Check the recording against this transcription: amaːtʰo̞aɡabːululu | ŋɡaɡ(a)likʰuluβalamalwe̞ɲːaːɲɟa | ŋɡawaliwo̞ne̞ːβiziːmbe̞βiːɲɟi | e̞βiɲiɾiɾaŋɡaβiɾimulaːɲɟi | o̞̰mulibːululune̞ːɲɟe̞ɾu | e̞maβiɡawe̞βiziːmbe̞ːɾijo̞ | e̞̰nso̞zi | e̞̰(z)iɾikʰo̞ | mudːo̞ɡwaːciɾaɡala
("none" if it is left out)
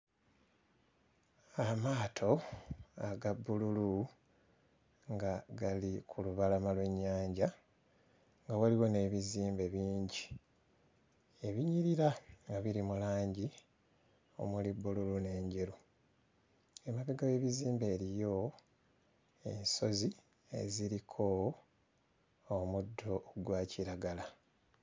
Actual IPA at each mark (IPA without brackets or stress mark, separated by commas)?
a, z